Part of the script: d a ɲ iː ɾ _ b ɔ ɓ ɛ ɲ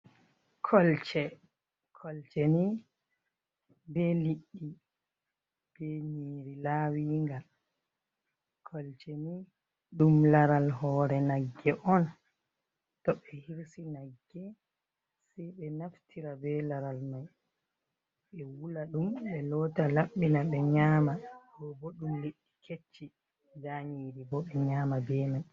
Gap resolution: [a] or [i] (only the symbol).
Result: i